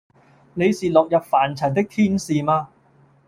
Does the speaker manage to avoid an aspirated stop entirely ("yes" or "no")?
no